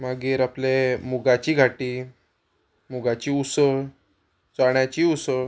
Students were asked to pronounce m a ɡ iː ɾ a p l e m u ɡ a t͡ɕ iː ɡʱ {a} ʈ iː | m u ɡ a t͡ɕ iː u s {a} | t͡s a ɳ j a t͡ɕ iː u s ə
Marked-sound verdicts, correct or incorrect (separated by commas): correct, incorrect